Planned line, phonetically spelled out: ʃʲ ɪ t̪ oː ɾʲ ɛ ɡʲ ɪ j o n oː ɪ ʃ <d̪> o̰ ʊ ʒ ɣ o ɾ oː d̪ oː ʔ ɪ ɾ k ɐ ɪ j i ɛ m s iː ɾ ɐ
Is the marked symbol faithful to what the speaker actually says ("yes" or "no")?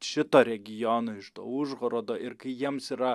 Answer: no